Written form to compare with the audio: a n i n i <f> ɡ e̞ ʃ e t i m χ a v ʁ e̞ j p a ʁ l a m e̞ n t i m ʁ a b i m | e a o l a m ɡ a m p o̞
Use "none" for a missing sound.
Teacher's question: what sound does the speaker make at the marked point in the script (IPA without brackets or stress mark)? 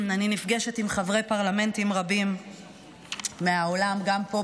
f